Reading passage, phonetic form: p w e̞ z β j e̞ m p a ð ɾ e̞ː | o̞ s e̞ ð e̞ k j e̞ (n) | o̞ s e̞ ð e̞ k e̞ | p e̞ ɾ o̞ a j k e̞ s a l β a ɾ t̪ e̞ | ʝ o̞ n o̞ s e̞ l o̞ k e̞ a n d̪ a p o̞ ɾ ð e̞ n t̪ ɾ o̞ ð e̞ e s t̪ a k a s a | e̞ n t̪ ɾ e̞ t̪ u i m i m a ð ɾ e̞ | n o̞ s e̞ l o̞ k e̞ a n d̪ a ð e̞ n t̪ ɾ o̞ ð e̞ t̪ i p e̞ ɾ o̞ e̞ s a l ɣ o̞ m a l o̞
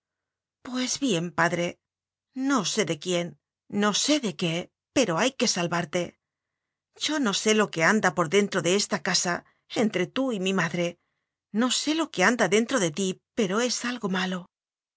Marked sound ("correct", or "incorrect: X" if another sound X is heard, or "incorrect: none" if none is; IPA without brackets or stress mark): incorrect: nː